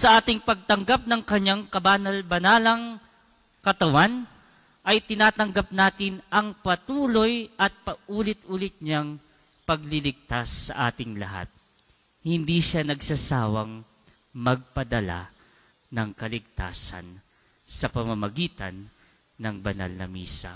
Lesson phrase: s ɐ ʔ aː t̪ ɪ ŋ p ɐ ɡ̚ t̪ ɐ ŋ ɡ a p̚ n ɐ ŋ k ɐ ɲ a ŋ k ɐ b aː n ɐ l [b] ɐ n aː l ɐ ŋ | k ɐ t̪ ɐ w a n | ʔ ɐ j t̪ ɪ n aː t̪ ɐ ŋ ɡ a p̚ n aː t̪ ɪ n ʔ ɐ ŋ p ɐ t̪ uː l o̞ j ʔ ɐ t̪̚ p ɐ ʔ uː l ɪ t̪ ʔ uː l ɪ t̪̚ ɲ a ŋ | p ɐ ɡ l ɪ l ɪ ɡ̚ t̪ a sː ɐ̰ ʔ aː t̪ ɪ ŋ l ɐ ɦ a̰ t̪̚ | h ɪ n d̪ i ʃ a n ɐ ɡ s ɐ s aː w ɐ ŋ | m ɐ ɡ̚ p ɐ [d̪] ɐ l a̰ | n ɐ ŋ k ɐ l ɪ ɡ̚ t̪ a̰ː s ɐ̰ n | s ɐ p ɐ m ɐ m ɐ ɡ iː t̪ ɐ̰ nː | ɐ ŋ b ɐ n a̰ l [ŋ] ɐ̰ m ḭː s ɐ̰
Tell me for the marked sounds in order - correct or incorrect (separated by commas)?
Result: correct, correct, incorrect